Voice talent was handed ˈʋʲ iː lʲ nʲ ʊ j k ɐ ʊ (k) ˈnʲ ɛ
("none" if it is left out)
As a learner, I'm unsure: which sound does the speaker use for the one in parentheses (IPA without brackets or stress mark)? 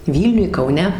none